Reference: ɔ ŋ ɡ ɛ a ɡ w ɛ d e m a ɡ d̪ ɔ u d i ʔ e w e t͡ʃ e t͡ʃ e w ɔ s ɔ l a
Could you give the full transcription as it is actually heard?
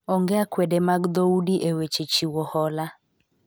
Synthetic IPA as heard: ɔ ŋ ɡ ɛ a k w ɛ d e m a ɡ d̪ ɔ u d i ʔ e w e t͡ʃ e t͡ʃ i w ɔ h ɔ l a